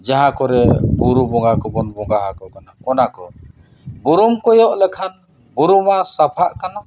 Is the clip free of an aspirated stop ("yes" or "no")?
no